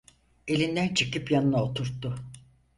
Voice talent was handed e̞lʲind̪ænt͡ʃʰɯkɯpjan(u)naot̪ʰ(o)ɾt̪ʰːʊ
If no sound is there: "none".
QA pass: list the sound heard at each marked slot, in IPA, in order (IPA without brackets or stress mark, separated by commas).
ɯ, u